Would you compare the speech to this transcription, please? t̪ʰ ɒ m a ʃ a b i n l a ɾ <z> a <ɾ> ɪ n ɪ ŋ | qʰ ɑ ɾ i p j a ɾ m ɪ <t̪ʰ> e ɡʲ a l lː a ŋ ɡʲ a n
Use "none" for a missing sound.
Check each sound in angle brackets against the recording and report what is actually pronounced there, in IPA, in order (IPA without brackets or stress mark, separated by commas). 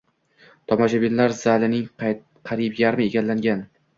z, l, none